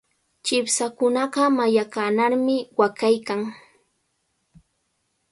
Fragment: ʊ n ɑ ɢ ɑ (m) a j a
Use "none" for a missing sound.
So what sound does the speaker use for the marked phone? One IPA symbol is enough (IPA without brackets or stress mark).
m